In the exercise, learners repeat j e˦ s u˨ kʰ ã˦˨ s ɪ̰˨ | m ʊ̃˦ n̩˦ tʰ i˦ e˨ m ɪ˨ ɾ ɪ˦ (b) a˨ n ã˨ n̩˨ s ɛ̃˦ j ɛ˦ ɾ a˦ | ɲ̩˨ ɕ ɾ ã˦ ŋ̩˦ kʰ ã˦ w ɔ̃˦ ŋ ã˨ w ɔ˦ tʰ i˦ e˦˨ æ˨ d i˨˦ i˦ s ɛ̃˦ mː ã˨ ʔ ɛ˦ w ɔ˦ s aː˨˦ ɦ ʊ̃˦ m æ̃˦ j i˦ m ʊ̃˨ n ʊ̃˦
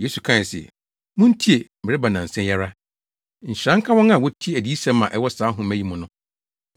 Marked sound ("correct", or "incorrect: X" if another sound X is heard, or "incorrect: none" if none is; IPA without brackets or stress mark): correct